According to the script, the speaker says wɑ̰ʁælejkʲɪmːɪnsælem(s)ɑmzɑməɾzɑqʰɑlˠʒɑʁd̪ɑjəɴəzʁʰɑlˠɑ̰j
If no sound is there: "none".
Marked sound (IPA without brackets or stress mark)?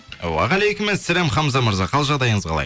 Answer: χ